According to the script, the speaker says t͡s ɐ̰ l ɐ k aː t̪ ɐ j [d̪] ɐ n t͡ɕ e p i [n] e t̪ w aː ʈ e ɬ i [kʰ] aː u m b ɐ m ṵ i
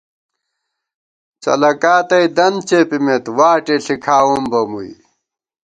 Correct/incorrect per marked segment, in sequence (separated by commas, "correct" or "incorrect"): correct, incorrect, correct